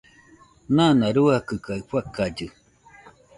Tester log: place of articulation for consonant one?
alveolar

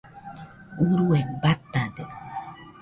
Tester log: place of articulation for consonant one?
alveolar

